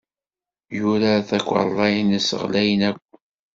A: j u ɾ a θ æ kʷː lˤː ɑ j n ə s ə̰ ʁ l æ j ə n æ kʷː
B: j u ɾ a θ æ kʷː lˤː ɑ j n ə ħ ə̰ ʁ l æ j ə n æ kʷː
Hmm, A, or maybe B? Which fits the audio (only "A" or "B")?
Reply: A